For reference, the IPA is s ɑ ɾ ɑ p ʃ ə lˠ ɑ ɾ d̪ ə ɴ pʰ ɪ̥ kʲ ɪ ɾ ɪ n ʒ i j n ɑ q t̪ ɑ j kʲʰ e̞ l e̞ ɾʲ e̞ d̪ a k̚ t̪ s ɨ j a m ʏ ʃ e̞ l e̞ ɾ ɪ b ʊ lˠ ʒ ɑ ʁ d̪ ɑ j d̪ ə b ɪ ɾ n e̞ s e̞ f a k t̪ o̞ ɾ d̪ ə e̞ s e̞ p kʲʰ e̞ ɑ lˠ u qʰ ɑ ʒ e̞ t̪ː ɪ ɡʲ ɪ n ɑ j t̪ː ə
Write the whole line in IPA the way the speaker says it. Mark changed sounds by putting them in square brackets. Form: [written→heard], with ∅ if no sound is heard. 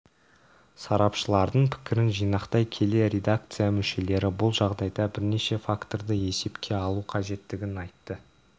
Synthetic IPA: s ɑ ɾ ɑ p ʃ ə lˠ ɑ ɾ d̪ ə ɴ pʰ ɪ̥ kʲ ɪ ɾ ɪ n ʒ i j n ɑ q t̪ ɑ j kʲʰ e̞ l e̞ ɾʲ e̞ d̪ a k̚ t̪ s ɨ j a m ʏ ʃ e̞ l e̞ ɾ ɪ b ʊ lˠ ʒ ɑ ʁ d̪ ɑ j d̪ [ə→ɑ] b ɪ ɾ n e̞ [s→ʃ] e̞ f a k t̪ o̞ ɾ d̪ ə e̞ s e̞ p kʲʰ e̞ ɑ lˠ u qʰ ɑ ʒ e̞ t̪ː ɪ ɡʲ ɪ n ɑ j t̪ː ə